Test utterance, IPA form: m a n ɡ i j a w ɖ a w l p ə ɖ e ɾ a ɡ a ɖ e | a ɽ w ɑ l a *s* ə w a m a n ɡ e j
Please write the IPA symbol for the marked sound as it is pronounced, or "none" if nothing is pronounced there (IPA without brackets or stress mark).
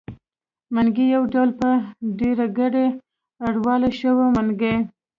ʃ